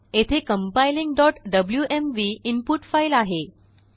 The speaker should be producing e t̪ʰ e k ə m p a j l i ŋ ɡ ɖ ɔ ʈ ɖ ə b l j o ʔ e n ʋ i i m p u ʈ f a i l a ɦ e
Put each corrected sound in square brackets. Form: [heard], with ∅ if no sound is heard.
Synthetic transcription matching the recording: e t̪ʰ e k ə m p a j l i ŋ ɡ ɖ ɔ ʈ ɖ ə b l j [u] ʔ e [m] ʋ i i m p u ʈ f a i l a ɦ e